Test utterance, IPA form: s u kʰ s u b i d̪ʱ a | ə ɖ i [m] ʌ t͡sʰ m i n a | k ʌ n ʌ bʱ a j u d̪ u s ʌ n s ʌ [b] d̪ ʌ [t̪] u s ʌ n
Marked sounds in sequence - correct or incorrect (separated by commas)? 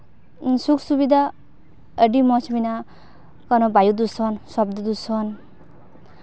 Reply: correct, correct, incorrect